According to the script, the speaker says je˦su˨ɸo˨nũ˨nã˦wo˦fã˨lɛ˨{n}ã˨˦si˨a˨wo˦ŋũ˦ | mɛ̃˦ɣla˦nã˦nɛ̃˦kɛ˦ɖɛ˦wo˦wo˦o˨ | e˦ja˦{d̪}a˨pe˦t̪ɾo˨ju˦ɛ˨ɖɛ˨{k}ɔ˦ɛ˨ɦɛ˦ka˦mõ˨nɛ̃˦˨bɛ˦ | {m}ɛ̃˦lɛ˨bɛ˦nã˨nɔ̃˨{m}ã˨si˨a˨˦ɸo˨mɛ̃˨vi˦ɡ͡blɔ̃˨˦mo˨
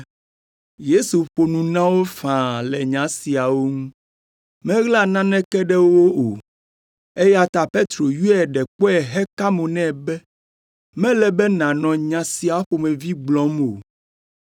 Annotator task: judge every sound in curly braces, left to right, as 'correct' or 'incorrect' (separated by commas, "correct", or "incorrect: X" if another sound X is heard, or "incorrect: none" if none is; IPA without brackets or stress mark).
incorrect: ɲ, incorrect: t̪, incorrect: k͡p, correct, incorrect: ɲ